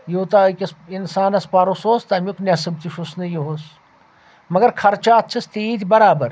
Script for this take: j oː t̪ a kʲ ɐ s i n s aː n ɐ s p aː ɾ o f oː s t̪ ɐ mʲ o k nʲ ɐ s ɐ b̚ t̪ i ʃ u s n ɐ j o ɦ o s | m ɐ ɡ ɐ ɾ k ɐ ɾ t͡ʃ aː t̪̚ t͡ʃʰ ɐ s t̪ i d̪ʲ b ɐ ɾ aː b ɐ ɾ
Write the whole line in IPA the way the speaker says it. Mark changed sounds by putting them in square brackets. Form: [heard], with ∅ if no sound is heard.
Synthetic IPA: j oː t̪ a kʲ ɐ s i n s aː n ɐ s p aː ɾ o [s] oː s t̪ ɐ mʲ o k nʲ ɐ s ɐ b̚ t̪ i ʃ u s n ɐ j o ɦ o s | m ɐ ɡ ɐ ɾ [kʰ] ɐ ɾ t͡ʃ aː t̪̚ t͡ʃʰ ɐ s t̪ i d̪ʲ b ɐ ɾ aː b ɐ ɾ